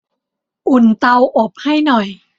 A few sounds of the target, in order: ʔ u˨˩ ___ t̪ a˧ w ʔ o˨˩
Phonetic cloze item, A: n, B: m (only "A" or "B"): A